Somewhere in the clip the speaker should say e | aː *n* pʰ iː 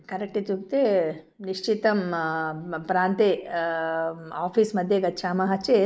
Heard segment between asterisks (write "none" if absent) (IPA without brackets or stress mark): none